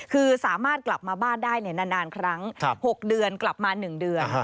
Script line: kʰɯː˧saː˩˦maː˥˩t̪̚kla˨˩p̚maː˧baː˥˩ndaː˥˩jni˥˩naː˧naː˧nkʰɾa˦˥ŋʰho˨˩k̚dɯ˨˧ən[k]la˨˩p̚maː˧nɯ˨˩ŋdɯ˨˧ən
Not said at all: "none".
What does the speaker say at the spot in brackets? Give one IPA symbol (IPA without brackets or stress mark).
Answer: k